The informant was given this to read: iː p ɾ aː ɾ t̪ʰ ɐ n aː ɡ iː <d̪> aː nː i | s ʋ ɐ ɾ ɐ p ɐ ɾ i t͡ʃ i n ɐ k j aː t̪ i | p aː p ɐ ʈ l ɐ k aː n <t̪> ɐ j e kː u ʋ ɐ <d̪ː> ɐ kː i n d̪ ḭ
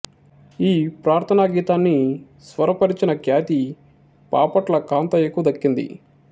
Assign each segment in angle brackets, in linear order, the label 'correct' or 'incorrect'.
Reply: incorrect: t̪, correct, incorrect: d̪

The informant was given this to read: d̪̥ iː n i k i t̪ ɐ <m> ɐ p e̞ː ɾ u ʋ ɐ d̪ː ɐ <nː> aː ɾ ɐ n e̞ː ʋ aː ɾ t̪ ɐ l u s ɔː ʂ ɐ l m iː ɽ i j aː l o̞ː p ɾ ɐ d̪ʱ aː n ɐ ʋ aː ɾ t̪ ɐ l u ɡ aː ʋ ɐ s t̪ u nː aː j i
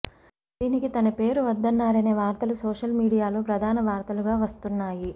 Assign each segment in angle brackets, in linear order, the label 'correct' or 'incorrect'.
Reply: incorrect: n, correct

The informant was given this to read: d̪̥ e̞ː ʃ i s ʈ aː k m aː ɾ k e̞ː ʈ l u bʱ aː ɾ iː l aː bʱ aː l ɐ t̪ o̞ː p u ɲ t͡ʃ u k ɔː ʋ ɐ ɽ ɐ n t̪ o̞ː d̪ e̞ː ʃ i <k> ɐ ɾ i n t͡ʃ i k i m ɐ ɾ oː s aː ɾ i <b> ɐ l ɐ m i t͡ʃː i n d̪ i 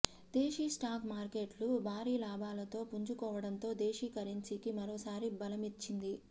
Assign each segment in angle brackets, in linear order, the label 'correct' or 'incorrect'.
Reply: correct, correct

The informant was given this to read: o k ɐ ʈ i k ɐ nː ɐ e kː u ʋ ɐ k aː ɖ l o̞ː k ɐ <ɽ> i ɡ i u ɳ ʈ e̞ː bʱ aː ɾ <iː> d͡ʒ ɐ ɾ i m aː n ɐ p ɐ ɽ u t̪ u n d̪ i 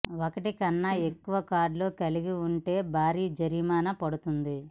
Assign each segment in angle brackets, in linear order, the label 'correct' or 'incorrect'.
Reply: incorrect: l, correct

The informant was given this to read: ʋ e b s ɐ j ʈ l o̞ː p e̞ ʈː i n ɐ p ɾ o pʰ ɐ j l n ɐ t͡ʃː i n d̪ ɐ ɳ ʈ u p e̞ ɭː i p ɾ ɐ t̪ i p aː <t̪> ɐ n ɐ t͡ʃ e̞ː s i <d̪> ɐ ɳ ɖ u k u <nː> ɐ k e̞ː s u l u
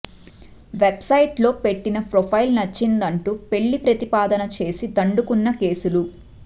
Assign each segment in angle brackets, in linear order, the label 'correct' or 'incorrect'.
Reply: incorrect: d̪, correct, correct

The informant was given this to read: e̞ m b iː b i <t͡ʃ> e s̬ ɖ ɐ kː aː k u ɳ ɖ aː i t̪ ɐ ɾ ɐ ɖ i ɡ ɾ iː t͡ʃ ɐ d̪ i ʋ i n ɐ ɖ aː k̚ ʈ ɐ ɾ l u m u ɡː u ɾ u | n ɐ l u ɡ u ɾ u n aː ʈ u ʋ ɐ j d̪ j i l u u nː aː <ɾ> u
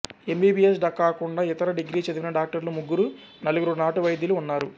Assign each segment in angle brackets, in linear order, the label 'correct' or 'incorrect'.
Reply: incorrect: none, correct

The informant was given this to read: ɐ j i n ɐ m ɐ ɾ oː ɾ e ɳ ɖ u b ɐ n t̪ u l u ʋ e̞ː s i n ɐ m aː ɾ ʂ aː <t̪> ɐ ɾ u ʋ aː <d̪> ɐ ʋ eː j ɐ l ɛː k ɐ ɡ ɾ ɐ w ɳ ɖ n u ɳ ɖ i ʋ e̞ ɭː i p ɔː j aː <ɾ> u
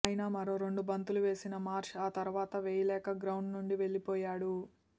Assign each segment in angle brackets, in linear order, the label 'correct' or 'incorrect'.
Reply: correct, incorrect: t̪, incorrect: ɽ

